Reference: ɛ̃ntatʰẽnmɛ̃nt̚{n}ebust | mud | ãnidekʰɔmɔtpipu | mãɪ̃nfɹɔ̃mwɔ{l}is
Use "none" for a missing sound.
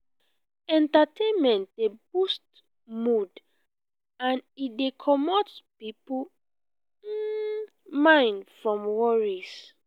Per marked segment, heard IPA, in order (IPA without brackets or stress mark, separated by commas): d, ɹ